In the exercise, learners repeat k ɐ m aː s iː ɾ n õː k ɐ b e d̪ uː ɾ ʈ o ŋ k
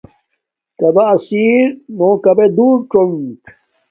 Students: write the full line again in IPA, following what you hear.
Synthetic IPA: k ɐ b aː s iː ɾ n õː k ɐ b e d̪ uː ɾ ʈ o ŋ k